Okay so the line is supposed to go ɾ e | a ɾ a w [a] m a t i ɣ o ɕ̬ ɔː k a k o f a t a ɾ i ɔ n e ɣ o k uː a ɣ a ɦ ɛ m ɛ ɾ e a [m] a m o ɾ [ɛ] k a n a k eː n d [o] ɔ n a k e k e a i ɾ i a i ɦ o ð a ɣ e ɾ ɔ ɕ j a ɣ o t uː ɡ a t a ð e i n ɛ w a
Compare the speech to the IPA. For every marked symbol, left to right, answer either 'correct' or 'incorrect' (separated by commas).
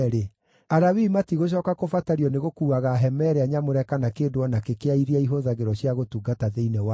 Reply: incorrect, incorrect, correct, correct